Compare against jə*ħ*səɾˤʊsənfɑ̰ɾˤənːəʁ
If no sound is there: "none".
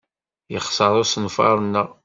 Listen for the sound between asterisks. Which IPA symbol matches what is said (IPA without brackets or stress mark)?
χ